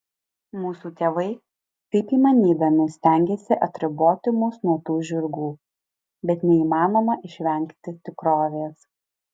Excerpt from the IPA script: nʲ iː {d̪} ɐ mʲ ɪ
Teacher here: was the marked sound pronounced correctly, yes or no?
yes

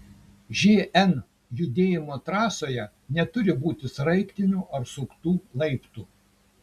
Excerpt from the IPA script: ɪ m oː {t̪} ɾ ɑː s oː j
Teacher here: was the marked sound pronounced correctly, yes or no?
yes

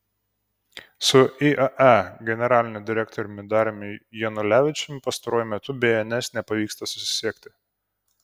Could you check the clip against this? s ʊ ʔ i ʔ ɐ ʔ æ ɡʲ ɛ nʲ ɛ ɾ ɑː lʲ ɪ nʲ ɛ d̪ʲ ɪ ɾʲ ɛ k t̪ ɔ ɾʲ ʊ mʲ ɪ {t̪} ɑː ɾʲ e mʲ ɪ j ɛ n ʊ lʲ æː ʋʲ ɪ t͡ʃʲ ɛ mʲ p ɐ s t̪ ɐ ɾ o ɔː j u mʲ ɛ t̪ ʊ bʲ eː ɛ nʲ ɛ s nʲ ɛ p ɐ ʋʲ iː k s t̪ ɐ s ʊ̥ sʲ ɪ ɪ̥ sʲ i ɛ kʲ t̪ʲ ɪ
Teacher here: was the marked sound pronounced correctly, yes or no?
no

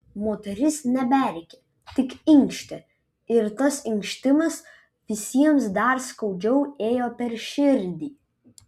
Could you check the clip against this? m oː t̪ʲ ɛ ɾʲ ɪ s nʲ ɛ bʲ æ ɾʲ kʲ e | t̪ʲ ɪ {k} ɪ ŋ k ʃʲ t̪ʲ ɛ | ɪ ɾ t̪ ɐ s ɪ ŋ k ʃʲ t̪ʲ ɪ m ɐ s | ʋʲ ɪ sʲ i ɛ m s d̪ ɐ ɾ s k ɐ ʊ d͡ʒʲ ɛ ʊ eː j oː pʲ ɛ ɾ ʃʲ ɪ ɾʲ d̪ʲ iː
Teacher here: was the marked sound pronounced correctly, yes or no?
yes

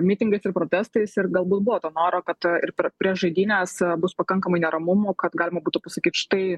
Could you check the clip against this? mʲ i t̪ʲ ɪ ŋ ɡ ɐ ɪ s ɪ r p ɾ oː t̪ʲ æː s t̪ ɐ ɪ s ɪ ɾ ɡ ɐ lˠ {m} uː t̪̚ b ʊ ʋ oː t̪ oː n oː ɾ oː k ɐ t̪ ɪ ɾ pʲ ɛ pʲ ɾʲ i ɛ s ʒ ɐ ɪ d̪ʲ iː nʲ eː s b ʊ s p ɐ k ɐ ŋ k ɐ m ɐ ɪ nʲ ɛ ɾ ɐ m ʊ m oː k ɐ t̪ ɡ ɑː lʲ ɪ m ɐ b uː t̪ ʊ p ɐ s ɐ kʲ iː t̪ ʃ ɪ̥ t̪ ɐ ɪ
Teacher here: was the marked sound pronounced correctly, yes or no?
no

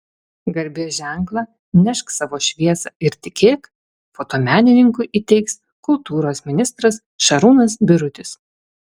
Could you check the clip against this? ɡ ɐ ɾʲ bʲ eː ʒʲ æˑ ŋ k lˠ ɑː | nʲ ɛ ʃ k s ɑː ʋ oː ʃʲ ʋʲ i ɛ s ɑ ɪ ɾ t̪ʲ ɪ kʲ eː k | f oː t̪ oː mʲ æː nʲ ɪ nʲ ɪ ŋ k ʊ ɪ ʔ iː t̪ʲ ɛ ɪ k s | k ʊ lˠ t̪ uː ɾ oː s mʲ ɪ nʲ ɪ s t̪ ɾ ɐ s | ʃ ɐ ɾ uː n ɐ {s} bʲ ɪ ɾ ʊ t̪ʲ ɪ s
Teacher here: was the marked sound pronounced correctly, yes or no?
yes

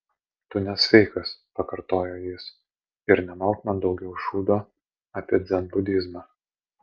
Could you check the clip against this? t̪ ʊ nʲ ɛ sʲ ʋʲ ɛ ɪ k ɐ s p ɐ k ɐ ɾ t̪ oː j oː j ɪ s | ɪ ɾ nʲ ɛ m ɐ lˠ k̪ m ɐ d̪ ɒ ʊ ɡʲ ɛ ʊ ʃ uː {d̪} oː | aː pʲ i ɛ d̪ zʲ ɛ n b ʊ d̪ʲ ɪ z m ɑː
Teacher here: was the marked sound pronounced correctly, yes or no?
yes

